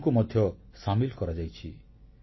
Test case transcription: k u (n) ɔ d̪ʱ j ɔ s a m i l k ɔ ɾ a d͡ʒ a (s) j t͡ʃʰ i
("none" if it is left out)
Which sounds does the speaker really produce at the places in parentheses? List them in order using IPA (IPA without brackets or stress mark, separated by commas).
m, none